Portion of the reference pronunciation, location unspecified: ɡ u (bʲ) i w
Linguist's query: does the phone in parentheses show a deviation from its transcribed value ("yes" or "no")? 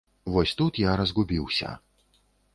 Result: no